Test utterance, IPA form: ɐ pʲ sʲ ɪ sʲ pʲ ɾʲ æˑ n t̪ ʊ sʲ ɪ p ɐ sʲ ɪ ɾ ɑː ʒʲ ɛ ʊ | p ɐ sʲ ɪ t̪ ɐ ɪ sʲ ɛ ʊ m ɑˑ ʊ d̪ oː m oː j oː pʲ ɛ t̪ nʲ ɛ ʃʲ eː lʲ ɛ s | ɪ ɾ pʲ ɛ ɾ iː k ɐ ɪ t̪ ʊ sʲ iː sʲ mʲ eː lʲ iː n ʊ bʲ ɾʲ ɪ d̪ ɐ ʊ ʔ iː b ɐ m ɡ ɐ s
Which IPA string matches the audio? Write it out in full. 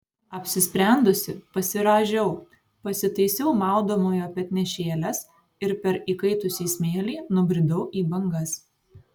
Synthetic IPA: ɐ pʲ sʲ ɪ sʲ pʲ ɾʲ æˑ n d̪ ʊ sʲ ɪ p ɐ sʲ ɪ ɾ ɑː ʒʲ ɛ ʊ | p ɐ sʲ ɪ t̪ ɐ ɪ sʲ ɛ ʊ m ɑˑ ʊ d̪ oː m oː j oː pʲ ɛ t̪ nʲ ɛ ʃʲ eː lʲ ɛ s | ɪ ɾ pʲ ɛ ɾ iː k ɐ ɪ t̪ ʊ sʲ iː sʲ mʲ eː lʲ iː n ʊ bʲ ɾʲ ɪ d̪ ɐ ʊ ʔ iː b ɐ ŋ ɡ ɐ s